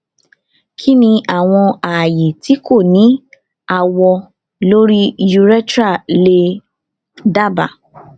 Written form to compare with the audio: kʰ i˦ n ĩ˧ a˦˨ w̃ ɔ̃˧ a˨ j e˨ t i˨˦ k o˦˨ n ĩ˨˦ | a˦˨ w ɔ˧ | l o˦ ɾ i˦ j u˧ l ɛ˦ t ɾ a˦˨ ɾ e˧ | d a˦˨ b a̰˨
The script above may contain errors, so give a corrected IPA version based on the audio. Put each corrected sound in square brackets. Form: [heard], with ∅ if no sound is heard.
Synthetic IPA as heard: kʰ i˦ n ĩ˧ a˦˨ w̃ ɔ̃˧ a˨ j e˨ t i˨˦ k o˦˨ n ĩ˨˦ | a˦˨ w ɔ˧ | l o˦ ɾ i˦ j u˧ [ɾ] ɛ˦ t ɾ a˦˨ [l] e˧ | d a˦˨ b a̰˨